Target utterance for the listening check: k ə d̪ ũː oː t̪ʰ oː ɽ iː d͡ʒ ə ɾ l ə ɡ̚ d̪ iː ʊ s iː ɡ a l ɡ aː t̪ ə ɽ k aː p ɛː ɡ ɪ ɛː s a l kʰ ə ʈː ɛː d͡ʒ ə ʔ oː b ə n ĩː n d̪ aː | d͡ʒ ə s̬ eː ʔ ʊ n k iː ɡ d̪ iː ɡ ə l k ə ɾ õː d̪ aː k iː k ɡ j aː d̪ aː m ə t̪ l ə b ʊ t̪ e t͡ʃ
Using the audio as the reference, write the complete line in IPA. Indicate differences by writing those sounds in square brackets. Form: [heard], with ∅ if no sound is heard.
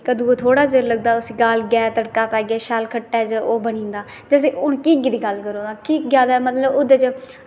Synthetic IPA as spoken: k ə d̪ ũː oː t̪ʰ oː ɽ [aː] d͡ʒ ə ɾ l ə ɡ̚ d̪ [aː] ʊ s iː ɡ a l ɡ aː t̪ ə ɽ k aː p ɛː ɡ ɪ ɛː [ʃ] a l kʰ ə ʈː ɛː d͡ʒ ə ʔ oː b ə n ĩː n d̪ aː | d͡ʒ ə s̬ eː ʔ ʊ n k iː ɡ d̪ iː ɡ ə l k ə ɾ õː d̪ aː k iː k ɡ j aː d̪ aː m ə t̪ l ə b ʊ [d̪] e t͡ʃ